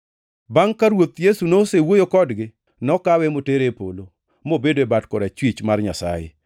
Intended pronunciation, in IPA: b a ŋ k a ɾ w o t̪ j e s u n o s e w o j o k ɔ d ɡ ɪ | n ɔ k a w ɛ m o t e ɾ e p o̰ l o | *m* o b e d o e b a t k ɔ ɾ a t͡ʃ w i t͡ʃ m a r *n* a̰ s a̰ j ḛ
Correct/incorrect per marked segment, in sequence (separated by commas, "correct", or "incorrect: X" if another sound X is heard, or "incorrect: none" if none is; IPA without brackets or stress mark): correct, incorrect: ɲ